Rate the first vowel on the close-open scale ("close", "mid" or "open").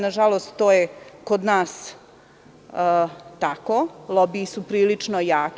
open